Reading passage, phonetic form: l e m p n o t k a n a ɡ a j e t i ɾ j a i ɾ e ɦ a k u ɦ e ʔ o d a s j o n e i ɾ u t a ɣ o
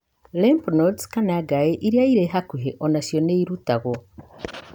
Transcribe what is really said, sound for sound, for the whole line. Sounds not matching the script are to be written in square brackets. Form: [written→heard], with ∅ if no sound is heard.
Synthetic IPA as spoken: l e m p n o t k a n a ɡ a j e [t→ʔ] i ɾ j a i ɾ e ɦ a k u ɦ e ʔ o [d→n] a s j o n e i ɾ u t a ɣ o